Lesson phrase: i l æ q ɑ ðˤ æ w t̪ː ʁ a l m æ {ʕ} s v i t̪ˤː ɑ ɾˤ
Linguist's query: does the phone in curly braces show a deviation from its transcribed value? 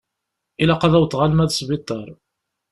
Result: yes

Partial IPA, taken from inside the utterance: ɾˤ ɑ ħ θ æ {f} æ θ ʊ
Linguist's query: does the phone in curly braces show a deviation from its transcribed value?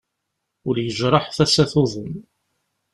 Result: yes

